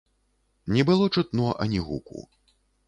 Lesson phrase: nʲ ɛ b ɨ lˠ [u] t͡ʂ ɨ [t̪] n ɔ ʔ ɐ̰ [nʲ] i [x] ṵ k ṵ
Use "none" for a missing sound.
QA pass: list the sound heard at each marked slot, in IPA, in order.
ɔ, t̪, nʲ, ɣ

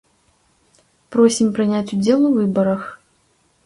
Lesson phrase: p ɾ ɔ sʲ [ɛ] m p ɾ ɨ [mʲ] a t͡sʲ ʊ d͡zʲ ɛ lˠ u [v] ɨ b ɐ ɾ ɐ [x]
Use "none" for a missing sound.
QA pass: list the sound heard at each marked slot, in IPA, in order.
i, nʲ, v, x

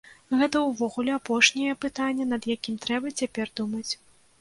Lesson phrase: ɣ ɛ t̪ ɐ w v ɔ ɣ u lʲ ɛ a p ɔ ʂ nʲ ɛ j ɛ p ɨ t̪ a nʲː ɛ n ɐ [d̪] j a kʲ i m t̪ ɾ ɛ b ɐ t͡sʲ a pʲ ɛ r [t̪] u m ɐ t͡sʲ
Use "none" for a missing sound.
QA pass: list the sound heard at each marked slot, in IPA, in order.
d̪, d̪

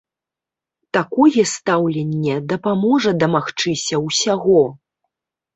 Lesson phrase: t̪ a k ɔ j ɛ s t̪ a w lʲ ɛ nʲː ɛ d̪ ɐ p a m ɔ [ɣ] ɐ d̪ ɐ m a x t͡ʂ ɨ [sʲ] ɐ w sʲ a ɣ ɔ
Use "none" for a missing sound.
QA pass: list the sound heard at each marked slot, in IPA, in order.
ʐ, sʲ

